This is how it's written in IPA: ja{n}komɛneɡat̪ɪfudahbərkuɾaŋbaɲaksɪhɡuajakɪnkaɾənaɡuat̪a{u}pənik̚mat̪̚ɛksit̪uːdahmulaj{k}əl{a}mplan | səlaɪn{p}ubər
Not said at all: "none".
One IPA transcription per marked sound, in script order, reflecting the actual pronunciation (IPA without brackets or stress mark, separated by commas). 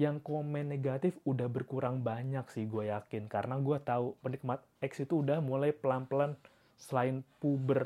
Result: ŋ, u, p, a, p